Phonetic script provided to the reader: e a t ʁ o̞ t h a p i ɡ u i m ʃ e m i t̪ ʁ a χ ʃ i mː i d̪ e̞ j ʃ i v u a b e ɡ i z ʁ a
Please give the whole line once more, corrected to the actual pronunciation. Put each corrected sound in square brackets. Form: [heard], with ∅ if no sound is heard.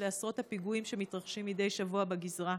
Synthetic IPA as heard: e a [s] ʁ o̞ t h a p i ɡ u i m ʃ e m i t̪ ʁ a χ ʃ i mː i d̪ e̞ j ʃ [a] v u a b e ɡ i z ʁ a